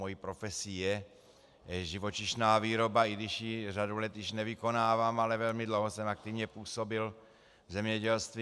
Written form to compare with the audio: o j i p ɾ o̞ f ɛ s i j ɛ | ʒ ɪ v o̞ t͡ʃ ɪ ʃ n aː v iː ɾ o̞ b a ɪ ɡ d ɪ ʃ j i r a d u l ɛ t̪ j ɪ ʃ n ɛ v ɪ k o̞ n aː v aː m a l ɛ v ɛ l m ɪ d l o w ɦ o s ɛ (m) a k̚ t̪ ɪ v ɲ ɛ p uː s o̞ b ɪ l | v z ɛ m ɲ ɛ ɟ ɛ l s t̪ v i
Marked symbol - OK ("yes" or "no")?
yes